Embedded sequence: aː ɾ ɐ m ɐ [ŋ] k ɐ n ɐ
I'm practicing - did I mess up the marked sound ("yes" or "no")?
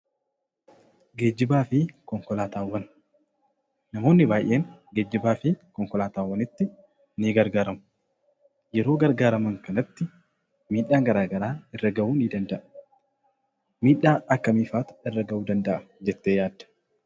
no